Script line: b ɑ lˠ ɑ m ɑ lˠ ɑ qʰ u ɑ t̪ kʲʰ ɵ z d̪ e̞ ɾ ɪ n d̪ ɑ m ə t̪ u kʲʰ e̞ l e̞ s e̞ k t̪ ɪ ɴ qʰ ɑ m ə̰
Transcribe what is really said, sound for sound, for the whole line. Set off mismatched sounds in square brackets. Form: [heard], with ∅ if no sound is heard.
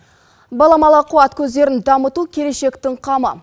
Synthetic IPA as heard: b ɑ lˠ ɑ m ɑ lˠ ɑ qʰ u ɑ t̪ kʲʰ ɵ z d̪ e̞ ɾ ɪ n d̪ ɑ m ə t̪ u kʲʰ e̞ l e̞ [ʃ] e̞ k t̪ ɪ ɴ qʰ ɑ m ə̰